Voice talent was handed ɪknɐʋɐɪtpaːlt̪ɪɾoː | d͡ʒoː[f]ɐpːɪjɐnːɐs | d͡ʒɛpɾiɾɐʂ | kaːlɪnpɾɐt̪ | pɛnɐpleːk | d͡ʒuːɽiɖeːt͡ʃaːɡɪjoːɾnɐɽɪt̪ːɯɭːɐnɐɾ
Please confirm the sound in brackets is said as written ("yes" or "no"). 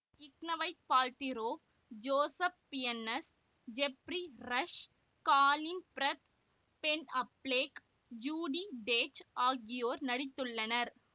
no